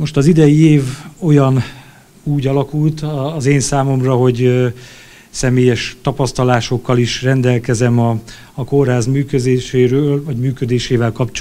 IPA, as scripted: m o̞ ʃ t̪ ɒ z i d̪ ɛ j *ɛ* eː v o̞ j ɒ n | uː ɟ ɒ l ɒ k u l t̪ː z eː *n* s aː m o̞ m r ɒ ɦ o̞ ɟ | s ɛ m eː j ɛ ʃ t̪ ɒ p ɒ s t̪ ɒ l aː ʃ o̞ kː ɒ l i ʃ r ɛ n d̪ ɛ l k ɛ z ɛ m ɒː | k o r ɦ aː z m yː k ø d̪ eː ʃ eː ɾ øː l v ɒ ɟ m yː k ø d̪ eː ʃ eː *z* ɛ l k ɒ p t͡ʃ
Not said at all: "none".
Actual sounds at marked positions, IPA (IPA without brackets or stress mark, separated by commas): i, n, v